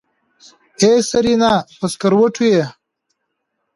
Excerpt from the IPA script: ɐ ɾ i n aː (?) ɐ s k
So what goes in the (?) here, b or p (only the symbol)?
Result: p